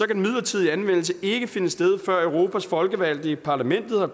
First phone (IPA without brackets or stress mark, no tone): ɒ̽